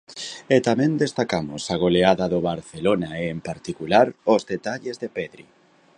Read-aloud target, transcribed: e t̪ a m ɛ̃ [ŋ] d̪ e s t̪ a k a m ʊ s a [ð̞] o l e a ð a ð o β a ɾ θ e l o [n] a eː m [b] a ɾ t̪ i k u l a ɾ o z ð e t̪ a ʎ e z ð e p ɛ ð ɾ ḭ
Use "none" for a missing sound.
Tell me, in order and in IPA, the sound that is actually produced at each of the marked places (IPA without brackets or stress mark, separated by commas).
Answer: n, ɣ̞, n, p